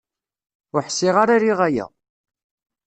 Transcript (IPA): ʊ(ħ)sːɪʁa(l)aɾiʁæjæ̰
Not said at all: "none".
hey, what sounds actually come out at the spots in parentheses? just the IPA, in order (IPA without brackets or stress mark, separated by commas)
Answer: ħ, ɾ